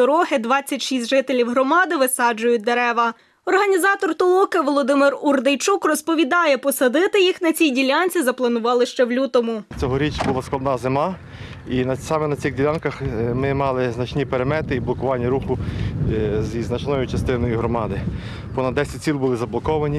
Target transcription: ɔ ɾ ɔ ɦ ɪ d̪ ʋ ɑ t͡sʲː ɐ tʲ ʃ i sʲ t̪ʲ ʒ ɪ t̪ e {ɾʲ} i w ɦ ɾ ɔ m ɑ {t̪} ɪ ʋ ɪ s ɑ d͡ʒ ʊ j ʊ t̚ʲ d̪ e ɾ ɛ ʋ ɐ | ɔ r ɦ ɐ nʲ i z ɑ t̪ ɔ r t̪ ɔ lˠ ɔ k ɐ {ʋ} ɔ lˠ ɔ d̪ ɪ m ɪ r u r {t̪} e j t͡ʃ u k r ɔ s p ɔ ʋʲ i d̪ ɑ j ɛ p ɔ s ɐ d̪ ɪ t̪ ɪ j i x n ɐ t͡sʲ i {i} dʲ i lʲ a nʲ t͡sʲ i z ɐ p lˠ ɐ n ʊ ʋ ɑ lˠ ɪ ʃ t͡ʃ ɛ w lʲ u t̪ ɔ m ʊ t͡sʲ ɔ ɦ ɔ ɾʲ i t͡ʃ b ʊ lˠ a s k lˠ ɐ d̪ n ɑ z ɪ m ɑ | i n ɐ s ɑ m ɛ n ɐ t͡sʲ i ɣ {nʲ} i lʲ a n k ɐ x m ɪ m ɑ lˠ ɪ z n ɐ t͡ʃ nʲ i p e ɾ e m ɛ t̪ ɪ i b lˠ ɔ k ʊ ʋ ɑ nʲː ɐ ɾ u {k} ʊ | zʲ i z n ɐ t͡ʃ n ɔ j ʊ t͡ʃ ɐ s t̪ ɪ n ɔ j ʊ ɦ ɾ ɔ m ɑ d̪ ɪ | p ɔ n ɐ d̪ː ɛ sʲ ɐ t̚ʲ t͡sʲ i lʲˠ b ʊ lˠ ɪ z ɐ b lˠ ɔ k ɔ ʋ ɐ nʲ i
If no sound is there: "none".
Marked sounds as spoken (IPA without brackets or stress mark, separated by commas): lʲ, d̪, ʋ, d̪, j, dʲ, x